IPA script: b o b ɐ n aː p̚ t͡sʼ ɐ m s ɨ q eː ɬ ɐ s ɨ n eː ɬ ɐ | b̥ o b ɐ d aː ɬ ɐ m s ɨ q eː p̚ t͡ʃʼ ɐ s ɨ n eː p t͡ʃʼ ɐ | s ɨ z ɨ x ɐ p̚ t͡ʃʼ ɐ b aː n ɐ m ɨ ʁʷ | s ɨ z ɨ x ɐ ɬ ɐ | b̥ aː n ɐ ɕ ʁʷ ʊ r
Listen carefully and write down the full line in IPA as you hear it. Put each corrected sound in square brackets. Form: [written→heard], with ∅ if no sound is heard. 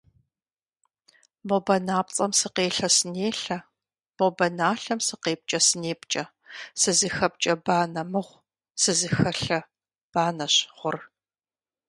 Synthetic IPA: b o b ɐ n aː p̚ t͡sʼ ɐ m s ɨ q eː ɬ ɐ s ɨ n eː ɬ ɐ | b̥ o b ɐ [d→n] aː ɬ ɐ m s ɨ q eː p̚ t͡ʃʼ ɐ s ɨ n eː p t͡ʃʼ ɐ | s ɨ z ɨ x ɐ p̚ t͡ʃʼ ɐ b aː n ɐ m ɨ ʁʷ | s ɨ z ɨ x ɐ ɬ ɐ | b̥ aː n ɐ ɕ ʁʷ ʊ r